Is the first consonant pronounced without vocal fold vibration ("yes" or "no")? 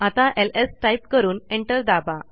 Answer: yes